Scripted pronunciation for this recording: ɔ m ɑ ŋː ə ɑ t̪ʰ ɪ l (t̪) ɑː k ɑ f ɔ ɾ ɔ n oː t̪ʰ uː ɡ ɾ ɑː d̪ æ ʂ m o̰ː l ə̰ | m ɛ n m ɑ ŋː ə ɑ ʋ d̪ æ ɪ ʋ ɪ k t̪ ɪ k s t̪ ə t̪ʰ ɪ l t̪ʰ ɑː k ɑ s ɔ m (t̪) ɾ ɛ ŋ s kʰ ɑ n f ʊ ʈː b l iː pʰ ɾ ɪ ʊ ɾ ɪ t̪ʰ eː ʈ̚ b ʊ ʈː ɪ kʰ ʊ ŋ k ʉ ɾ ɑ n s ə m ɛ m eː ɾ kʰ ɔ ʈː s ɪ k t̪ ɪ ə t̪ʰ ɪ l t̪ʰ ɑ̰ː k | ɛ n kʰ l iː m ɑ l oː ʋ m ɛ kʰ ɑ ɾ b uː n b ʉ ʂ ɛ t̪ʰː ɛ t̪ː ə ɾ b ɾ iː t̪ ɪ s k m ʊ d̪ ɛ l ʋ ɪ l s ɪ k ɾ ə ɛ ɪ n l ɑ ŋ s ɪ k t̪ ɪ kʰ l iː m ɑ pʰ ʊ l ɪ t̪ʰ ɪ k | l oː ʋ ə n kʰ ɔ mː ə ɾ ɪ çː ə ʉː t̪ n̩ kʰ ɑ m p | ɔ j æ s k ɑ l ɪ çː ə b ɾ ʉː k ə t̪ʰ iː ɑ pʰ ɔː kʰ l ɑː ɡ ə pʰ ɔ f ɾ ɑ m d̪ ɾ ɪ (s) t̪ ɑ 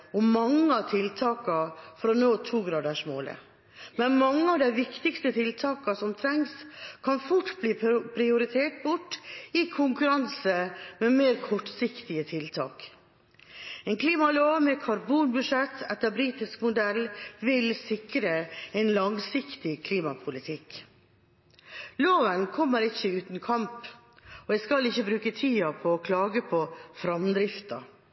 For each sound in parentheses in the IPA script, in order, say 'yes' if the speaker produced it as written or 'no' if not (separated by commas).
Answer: no, no, no